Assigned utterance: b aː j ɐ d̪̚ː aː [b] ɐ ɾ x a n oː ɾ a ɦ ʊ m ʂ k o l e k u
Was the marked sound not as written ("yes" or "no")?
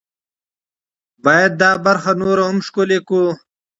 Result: no